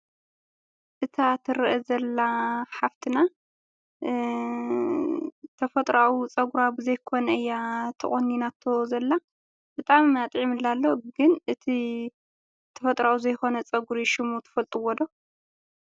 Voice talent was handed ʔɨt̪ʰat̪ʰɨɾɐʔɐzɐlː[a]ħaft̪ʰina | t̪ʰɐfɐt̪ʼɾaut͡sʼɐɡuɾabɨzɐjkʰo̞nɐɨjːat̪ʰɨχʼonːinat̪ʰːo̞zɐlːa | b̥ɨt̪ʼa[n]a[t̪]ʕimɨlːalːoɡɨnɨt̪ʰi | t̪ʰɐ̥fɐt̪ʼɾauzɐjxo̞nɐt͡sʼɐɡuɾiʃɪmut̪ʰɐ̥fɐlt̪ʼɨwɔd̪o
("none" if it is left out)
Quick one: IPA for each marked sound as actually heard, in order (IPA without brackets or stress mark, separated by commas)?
a, m, t̪ʼ